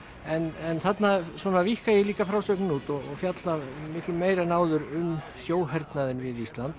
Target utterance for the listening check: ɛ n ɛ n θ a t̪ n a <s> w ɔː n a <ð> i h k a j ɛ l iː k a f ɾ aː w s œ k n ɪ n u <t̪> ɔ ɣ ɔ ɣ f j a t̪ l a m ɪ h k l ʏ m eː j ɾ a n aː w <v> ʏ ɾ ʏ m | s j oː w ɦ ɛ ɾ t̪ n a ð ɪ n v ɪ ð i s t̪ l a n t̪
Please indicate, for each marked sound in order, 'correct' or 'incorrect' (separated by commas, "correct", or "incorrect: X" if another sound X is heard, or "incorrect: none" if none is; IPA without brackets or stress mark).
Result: correct, incorrect: v, correct, incorrect: ð